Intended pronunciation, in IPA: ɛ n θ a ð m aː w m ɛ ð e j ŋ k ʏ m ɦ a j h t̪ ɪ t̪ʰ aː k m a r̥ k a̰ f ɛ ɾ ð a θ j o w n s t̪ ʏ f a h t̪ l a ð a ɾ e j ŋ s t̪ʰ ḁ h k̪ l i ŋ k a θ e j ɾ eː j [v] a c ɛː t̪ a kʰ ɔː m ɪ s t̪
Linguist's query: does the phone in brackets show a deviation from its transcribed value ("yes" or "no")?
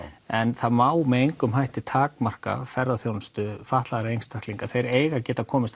yes